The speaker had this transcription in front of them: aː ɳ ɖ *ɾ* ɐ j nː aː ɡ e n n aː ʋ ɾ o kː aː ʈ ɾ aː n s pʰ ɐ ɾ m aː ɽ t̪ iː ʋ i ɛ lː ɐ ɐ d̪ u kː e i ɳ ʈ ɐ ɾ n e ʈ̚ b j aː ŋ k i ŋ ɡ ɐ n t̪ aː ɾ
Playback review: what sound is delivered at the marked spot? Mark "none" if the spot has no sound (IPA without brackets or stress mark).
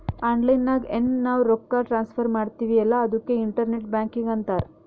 l